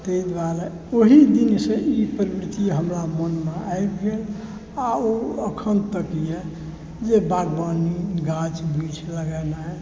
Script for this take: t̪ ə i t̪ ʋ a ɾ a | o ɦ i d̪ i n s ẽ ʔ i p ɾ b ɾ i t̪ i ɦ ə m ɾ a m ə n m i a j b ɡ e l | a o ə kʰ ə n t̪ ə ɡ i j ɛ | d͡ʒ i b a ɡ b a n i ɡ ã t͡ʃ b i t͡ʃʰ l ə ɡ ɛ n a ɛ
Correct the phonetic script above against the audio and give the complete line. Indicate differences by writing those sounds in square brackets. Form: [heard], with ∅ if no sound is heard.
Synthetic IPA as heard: t̪ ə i [d̪] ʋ a ɾ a | o ɦ i d̪ i n s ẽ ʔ i p ɾ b ɾ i t̪ i ɦ ə m ɾ a m ə n m [e] a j b ɡ e l | a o ə kʰ ə n t̪ ə [k] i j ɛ | d͡ʒ [e] b a ɡ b a n i ɡ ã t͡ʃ b i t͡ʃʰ l ə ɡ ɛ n a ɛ